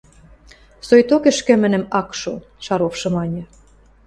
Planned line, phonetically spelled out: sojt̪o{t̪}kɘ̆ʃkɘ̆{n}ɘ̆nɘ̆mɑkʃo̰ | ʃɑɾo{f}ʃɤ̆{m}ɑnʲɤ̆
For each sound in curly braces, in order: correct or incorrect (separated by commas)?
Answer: incorrect, incorrect, correct, correct